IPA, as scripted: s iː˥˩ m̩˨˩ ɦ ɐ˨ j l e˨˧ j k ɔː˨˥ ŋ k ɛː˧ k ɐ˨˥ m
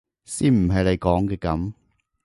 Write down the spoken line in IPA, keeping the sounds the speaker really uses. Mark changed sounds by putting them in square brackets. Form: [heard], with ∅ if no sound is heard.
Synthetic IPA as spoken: s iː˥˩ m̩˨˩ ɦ ɐ˨ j l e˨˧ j k ɔː˨˥ ŋ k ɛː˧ k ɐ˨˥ m